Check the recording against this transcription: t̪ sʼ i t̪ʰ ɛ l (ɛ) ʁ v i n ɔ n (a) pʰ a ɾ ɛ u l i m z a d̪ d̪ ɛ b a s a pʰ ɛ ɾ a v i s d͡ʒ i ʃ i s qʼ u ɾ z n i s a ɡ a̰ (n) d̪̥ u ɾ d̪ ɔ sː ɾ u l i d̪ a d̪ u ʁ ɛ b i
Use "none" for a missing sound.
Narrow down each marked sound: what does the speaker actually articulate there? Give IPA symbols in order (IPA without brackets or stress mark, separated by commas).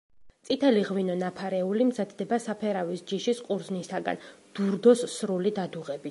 i, a, n